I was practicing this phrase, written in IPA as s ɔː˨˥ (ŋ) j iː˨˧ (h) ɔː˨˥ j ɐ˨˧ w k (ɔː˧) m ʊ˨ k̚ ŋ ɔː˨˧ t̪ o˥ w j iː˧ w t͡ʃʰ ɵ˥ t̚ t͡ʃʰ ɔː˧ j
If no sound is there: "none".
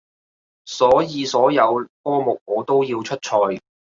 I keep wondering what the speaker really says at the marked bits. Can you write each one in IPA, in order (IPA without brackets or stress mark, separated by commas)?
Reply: none, s, ɔː˥